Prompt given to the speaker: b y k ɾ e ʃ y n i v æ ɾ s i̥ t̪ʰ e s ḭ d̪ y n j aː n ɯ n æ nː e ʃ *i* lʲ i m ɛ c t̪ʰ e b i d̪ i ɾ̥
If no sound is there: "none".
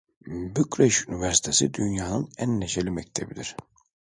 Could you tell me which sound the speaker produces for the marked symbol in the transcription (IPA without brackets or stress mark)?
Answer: e